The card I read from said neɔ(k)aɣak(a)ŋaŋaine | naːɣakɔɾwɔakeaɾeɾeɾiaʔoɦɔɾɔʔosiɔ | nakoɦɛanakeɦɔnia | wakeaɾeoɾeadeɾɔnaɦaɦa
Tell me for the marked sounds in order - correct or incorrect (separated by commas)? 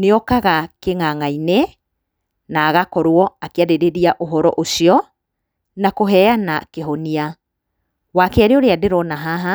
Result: correct, incorrect